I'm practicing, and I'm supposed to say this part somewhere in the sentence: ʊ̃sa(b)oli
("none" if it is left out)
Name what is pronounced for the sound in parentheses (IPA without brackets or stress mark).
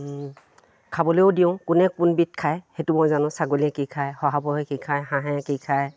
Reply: ɡ